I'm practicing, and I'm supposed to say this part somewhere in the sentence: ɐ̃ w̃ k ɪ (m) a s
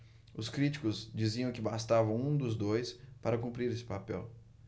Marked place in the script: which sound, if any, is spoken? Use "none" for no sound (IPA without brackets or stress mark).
b